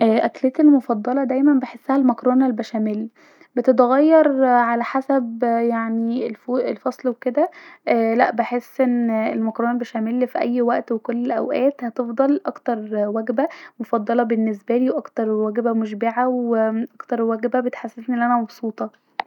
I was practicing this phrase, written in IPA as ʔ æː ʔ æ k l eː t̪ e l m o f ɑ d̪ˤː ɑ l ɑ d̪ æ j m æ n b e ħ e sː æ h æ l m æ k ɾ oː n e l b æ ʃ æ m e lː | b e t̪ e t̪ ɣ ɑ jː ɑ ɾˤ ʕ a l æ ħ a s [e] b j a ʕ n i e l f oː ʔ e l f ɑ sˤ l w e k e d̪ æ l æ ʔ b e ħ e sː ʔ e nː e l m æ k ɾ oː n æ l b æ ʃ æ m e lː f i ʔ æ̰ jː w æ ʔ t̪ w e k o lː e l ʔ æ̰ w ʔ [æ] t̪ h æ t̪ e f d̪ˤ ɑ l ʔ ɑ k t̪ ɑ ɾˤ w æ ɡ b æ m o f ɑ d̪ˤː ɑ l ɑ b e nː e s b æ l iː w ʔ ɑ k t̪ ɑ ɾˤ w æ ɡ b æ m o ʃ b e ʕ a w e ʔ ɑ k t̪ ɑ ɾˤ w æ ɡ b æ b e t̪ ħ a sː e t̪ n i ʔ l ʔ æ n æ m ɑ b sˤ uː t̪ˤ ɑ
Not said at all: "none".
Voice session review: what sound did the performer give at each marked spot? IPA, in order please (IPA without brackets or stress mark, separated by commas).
æ, æː